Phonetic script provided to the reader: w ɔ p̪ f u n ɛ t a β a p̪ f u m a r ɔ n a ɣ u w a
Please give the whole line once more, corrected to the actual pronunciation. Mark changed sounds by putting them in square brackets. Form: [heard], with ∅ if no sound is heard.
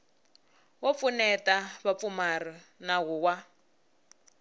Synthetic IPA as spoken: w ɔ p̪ f u n ɛ t a β a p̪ f u m a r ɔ n a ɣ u w a